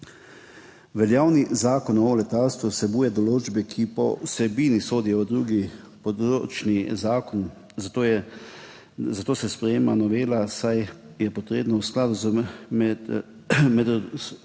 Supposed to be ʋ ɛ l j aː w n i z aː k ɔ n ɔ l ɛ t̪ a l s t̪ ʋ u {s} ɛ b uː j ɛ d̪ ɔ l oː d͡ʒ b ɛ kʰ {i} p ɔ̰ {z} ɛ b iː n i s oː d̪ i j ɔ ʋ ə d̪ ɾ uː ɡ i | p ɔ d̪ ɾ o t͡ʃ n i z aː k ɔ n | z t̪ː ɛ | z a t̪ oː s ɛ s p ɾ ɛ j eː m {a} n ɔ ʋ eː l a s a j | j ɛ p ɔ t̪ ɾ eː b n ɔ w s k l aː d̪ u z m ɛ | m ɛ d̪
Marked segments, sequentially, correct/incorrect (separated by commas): correct, correct, incorrect, correct